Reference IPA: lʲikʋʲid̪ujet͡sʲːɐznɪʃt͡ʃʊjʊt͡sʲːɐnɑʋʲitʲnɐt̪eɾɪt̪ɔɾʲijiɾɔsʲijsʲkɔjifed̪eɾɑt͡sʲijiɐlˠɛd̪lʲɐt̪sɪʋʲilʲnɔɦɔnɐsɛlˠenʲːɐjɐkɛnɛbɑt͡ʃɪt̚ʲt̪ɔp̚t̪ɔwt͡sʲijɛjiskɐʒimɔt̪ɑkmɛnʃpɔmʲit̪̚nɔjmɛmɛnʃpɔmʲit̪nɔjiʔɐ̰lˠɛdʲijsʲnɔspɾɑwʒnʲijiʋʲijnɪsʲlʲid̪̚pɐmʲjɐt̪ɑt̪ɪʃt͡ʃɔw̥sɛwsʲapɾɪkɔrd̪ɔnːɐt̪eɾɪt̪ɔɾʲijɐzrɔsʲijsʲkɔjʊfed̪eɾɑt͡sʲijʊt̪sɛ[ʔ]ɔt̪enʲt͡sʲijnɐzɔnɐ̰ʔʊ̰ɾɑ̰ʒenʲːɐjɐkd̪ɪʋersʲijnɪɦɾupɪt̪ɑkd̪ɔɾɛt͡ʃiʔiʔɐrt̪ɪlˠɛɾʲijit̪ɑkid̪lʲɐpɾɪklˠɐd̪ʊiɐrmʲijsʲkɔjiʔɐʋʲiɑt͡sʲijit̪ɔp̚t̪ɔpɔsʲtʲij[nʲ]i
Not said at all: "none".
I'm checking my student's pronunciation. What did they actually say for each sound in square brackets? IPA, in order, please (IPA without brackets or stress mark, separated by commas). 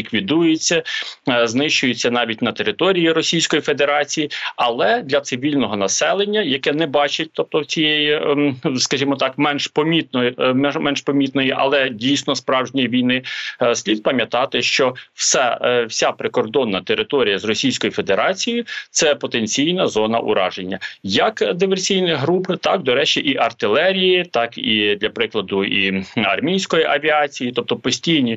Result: p, nʲ